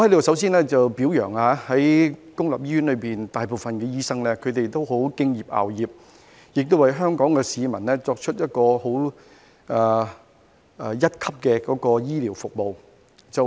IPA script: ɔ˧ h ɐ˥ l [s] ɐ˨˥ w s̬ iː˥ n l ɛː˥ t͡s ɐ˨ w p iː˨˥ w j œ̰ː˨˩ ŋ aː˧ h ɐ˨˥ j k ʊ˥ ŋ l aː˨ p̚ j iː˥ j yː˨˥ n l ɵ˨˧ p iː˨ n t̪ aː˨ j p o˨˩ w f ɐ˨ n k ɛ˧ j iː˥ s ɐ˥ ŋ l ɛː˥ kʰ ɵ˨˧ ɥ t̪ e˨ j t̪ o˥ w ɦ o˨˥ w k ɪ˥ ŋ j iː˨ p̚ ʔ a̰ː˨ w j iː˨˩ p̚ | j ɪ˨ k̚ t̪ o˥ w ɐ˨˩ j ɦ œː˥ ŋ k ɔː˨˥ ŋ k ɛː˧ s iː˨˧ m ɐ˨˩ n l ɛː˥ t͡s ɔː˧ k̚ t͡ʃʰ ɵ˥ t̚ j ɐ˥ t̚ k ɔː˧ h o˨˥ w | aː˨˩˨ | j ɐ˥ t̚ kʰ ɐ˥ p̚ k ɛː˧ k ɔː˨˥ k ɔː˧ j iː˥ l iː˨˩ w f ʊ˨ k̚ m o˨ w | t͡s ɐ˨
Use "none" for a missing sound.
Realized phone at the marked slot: s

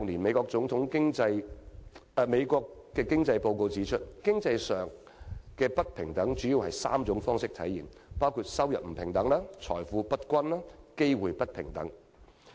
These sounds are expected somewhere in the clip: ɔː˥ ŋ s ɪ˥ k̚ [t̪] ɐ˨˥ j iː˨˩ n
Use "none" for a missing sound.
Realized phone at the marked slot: t̪ʰ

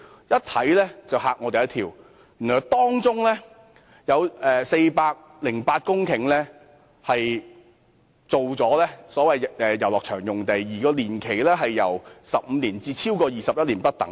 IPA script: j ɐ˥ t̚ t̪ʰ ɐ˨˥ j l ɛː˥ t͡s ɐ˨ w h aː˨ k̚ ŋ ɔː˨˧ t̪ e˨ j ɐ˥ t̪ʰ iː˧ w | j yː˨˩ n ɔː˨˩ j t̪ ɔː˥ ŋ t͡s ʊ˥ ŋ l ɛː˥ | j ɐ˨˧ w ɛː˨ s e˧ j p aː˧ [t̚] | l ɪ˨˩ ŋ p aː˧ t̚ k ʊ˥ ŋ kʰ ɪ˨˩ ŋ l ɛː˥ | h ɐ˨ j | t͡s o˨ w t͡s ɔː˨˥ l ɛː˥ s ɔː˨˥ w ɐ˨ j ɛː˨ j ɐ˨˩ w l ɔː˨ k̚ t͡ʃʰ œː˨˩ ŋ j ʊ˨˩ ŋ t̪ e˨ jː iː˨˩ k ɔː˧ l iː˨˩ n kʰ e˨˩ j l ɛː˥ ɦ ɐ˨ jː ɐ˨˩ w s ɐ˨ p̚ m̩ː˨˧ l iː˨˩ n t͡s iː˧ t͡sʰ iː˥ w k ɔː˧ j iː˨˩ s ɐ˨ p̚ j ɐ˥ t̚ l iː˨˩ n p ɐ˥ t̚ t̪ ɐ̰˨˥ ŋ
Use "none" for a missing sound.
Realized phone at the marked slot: k̚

